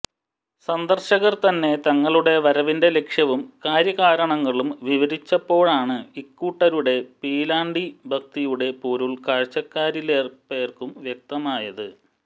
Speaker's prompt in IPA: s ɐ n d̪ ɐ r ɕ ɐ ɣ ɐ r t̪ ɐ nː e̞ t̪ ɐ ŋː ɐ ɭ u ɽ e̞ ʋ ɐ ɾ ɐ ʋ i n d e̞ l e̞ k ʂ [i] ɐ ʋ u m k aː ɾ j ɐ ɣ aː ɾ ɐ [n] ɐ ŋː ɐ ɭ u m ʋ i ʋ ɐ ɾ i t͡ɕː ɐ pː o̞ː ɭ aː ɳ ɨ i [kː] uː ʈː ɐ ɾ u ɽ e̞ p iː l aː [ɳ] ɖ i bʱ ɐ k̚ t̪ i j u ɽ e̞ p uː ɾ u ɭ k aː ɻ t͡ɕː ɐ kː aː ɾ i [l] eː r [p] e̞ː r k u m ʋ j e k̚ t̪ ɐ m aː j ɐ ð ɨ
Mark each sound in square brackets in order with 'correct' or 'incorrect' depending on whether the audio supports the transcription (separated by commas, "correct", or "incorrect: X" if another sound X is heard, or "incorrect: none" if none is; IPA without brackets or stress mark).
incorrect: j, incorrect: ɳ, correct, correct, correct, correct